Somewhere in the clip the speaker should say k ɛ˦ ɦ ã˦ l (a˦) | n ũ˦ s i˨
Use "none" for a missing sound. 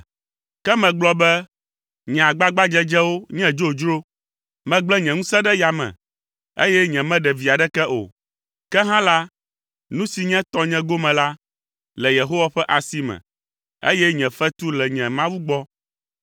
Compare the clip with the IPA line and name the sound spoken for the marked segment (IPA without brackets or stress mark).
a˦